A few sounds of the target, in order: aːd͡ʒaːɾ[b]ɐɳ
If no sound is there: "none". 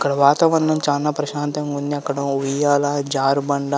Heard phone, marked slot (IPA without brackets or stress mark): b